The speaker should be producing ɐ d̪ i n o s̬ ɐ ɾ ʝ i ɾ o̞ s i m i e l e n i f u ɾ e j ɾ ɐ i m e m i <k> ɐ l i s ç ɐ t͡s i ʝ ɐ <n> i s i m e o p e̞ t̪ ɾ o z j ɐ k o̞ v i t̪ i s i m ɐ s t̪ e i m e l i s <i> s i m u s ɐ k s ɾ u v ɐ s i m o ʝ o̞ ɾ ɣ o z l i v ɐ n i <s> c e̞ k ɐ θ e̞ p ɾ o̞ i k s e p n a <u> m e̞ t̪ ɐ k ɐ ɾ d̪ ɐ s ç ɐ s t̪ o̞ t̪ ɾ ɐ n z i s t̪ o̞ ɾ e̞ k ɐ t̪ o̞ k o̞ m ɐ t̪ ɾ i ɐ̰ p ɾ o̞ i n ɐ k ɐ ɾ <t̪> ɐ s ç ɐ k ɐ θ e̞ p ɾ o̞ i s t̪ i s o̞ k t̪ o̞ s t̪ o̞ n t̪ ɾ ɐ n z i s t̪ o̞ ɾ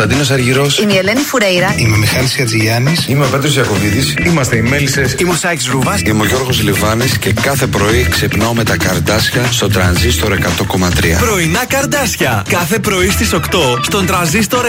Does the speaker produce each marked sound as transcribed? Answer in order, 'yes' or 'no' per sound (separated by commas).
no, yes, no, yes, no, no